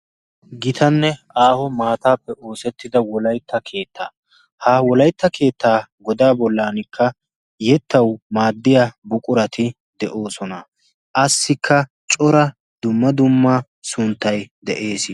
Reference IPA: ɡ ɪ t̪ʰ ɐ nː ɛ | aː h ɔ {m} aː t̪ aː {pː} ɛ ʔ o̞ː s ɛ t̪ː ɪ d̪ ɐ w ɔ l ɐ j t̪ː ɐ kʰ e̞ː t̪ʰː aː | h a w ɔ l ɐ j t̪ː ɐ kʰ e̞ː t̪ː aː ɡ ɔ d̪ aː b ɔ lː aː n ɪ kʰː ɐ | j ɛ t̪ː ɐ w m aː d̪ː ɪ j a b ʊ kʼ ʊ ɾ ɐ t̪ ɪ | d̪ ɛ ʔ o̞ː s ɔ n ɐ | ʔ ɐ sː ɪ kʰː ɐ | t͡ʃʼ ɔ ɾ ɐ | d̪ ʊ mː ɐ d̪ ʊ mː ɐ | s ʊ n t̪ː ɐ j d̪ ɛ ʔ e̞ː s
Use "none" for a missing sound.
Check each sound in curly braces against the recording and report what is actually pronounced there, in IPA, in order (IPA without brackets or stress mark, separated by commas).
m, pː